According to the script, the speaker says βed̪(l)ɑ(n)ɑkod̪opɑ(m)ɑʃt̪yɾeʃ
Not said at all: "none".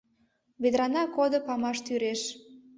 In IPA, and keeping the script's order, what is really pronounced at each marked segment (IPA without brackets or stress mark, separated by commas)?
ɾ, n, m